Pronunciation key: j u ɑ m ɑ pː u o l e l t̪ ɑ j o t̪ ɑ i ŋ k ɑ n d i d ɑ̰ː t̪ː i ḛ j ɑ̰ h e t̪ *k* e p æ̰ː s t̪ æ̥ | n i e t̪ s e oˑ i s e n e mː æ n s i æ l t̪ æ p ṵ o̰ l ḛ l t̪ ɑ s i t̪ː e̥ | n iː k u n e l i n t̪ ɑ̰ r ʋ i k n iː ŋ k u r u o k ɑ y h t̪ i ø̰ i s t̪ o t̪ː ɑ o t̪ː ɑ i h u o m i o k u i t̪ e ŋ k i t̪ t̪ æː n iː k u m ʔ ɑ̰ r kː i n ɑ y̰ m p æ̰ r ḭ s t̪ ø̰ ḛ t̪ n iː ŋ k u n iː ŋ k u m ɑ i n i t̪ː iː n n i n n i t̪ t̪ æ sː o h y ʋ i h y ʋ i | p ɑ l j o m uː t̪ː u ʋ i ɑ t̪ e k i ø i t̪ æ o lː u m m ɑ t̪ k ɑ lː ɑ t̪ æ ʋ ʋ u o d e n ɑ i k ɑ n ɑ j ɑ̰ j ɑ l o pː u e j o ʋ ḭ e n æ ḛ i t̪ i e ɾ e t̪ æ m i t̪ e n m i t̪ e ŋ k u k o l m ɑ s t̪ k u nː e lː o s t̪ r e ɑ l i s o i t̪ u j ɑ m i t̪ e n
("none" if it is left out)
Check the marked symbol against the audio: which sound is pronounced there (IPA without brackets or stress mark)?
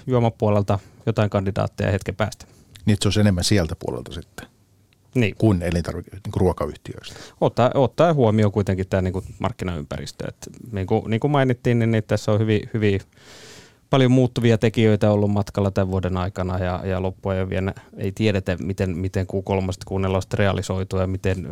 k